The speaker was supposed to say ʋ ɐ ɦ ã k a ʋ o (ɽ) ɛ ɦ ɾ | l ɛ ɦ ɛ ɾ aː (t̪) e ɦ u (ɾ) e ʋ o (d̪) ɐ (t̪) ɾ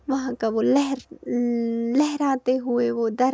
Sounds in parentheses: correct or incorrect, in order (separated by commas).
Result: incorrect, correct, incorrect, correct, incorrect